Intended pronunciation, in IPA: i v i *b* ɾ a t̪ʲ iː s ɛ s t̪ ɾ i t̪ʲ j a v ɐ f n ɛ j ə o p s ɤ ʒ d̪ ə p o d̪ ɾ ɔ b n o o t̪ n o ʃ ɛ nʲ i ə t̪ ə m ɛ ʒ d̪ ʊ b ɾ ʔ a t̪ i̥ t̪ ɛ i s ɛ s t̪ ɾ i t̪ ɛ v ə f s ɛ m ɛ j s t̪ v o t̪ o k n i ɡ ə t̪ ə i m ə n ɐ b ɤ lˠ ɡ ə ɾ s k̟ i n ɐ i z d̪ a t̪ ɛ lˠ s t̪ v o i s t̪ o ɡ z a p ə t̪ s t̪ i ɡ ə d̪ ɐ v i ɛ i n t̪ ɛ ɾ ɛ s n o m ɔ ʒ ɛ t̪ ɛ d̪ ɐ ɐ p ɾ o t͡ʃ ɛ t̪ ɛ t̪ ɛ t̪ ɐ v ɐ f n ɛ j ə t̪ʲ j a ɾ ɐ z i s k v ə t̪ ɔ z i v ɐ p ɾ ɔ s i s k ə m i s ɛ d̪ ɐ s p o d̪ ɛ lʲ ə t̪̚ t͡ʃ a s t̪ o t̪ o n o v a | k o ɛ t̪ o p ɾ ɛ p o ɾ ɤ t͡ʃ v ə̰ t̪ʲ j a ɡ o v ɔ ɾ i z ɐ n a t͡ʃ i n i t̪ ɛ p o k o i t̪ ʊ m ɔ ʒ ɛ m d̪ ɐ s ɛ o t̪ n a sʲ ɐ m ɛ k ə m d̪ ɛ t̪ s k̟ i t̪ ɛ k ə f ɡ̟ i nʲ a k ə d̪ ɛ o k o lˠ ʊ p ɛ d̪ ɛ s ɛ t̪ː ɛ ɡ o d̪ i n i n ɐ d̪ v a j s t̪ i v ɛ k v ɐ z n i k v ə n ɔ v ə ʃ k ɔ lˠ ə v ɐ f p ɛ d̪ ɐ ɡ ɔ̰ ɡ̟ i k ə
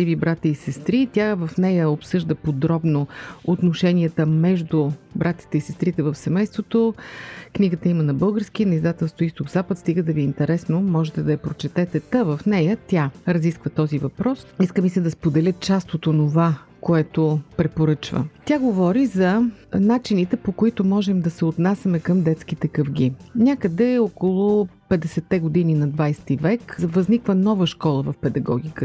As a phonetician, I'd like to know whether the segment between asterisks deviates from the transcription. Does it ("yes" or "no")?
no